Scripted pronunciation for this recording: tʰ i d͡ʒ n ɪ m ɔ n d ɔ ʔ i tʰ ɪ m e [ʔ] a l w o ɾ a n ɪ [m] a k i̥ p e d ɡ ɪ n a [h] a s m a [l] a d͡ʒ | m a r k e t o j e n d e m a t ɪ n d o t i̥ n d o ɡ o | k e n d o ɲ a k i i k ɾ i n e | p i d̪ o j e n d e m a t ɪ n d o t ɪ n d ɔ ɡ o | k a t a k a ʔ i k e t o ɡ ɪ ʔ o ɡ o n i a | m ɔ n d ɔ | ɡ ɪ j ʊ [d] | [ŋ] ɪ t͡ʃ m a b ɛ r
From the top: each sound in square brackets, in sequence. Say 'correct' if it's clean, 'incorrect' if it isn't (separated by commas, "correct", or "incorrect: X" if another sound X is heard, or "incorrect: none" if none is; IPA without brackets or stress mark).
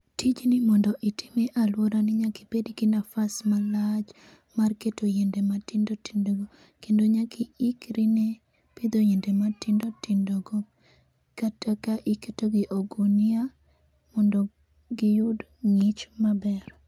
correct, incorrect: ɲ, incorrect: f, correct, correct, correct